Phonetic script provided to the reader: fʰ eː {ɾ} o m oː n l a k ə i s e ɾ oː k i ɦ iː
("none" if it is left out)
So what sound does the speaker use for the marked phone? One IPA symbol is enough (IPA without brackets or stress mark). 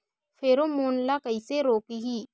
ɾ